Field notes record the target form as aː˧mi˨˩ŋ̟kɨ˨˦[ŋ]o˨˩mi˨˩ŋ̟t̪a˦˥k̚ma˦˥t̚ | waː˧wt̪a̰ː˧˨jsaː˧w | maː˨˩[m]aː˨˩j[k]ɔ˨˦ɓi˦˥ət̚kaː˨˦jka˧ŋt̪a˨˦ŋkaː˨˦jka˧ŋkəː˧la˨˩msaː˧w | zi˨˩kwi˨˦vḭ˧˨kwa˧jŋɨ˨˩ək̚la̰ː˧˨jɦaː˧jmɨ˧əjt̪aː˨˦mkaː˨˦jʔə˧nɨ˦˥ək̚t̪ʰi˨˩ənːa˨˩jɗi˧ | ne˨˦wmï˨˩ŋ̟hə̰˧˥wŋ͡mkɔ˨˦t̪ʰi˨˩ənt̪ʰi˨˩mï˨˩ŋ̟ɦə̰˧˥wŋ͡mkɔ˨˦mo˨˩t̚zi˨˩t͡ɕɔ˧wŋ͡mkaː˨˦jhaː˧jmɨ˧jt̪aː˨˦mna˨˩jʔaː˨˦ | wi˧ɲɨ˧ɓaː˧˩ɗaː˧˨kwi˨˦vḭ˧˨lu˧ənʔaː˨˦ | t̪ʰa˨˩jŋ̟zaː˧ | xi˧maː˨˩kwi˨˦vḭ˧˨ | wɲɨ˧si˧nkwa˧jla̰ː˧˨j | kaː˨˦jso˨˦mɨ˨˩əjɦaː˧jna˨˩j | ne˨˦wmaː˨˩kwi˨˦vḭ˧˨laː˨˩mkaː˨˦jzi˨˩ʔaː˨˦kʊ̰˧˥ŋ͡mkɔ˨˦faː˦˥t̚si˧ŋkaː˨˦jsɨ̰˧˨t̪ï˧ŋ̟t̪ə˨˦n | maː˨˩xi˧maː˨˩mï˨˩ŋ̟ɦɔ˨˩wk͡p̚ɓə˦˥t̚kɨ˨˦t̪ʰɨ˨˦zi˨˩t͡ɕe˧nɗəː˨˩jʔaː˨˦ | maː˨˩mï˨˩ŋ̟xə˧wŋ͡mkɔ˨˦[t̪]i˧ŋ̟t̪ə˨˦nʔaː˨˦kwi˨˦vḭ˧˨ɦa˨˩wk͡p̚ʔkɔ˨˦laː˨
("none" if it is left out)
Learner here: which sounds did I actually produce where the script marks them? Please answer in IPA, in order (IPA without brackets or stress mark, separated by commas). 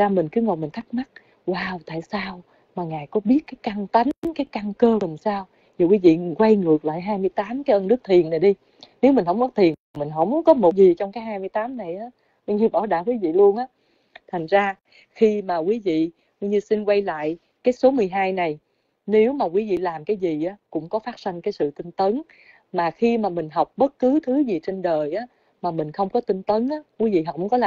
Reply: ŋ, ŋ, k, t̪